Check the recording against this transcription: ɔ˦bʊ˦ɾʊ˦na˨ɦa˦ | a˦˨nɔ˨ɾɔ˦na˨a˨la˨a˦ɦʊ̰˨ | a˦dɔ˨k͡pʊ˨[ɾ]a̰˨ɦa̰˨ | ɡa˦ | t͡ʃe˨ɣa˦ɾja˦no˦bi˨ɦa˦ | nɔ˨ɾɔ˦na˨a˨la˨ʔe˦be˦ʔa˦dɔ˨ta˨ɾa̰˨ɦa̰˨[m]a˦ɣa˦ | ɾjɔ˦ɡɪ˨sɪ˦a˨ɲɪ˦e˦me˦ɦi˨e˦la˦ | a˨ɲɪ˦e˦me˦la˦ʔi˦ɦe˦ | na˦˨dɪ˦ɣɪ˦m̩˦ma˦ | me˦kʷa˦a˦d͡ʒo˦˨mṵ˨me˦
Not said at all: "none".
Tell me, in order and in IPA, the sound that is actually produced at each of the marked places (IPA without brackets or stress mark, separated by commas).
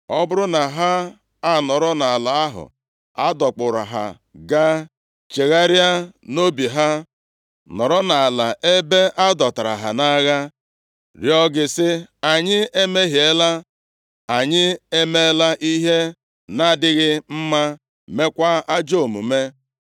ɾ, n